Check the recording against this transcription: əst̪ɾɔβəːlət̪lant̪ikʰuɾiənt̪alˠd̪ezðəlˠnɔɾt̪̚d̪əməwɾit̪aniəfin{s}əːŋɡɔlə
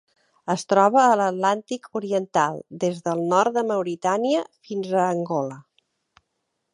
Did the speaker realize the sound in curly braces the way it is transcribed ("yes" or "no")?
no